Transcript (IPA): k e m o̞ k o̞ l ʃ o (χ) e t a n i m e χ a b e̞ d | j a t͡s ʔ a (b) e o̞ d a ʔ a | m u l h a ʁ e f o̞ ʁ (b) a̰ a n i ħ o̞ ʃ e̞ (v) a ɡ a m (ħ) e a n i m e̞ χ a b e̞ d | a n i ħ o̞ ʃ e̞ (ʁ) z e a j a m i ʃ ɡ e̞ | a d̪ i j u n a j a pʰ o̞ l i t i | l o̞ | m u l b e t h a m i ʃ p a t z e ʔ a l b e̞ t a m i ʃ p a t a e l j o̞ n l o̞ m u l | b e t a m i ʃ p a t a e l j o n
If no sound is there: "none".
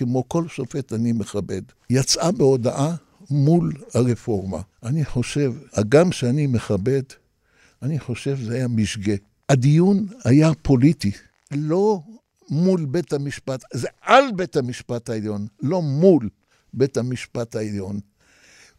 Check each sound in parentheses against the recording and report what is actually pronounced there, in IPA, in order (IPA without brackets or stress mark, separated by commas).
f, b, m, v, ʃ, v